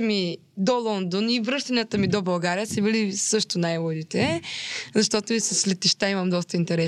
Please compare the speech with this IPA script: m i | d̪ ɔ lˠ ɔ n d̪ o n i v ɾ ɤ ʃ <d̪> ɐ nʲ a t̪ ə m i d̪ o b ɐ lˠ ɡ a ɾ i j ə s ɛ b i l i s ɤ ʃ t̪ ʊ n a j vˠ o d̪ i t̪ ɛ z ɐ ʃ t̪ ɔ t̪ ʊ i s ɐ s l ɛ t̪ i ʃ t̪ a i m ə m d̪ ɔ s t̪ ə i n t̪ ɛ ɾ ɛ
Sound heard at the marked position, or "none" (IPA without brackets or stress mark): t̪